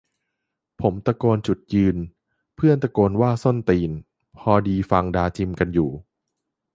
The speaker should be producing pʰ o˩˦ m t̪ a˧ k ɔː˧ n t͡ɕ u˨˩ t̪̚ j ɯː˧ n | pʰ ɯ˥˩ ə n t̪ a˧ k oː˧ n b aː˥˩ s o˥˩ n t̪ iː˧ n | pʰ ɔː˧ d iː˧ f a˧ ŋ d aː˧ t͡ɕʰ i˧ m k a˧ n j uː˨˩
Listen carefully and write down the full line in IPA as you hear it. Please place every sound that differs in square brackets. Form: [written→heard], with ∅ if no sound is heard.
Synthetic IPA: pʰ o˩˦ m t̪ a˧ k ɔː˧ n t͡ɕ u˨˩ t̪̚ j ɯː˧ n | pʰ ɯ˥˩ ə n t̪ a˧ k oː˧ n [b→w] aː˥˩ s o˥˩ n t̪ iː˧ n | pʰ ɔː˧ d iː˧ f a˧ ŋ d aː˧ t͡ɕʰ i˧ m k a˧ n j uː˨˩

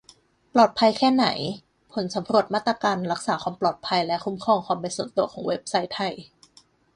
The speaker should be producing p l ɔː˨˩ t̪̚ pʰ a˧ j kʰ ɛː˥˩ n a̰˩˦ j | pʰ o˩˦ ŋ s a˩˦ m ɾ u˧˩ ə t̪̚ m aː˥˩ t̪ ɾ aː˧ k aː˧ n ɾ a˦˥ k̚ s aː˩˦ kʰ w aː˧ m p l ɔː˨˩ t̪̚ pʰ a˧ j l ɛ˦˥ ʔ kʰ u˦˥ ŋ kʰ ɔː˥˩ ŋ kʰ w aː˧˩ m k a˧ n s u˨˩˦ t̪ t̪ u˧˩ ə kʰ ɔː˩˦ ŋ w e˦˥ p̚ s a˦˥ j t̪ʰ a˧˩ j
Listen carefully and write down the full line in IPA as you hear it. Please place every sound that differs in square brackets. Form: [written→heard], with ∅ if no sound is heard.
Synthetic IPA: p l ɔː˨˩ t̪̚ pʰ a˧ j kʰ ɛː˥˩ n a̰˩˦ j | pʰ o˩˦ [ŋ→n] s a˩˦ m ɾ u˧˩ ə t̪̚ m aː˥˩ t̪ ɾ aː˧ k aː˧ n ɾ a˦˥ k̚ s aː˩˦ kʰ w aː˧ m p l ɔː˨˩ t̪̚ pʰ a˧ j l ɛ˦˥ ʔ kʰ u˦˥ [ŋ→m] kʰ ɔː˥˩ ŋ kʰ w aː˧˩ m [k→p] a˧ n s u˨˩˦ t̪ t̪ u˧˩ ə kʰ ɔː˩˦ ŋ w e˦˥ p̚ s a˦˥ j t̪ʰ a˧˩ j

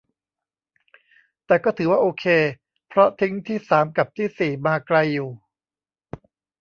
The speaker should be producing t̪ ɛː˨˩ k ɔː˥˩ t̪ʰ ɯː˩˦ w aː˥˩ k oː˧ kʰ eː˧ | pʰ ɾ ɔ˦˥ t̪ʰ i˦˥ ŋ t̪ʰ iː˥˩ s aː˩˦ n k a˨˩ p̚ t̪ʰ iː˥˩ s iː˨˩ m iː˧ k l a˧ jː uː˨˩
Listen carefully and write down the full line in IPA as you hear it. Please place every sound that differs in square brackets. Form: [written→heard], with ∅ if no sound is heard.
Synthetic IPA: t̪ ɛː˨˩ k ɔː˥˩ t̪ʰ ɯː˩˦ w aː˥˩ [k→ʔ] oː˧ kʰ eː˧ | pʰ ɾ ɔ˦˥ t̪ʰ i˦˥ ŋ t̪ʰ iː˥˩ s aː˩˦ [n→m] k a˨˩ p̚ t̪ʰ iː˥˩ s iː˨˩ m [iː˧→aː˧] k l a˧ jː uː˨˩

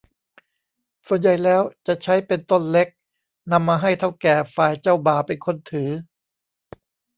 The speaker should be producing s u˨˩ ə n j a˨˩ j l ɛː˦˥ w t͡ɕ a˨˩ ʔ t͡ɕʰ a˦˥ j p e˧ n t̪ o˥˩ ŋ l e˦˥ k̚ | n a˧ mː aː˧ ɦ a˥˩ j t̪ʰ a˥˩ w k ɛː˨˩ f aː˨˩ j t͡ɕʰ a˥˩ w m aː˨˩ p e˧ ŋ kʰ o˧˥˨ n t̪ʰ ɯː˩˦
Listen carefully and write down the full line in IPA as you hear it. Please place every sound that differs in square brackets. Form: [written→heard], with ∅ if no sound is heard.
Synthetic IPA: s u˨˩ ə n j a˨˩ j l ɛː˦˥ w t͡ɕ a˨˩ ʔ t͡ɕʰ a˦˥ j p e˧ n t̪ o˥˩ [ŋ→n] l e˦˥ k̚ | n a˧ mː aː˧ ɦ a˥˩ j t̪ʰ a˥˩ w k ɛː˨˩ f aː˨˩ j [t͡ɕʰ→t͡ɕ] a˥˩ w [m→b] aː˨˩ p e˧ [ŋ→n] kʰ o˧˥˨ n t̪ʰ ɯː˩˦

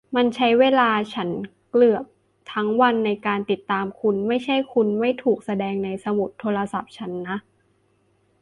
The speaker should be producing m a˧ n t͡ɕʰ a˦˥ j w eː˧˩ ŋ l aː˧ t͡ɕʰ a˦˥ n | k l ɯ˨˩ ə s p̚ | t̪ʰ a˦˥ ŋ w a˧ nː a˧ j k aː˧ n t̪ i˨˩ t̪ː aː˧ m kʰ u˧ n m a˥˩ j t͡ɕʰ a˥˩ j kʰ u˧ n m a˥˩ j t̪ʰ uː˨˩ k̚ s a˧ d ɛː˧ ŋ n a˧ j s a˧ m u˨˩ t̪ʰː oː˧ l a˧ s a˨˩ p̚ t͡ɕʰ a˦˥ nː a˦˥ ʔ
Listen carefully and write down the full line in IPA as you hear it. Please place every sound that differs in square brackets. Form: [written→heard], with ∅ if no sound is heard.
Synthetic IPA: m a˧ n t͡ɕʰ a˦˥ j w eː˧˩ [ŋ→∅] l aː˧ t͡ɕʰ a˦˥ n | k l ɯ˨˩ ə [s→∅] p̚ | t̪ʰ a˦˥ ŋ w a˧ nː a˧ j k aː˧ n t̪ i˨˩ t̪ː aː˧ m kʰ u˧ n m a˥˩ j t͡ɕʰ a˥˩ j kʰ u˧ n m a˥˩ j t̪ʰ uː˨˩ k̚ s a˧ d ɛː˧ ŋ n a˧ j s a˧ m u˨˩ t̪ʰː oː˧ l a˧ s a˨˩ p̚ t͡ɕʰ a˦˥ nː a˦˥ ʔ

